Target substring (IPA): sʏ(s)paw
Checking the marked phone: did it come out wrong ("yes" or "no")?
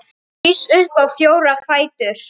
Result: yes